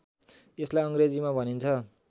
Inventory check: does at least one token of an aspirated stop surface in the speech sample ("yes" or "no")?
yes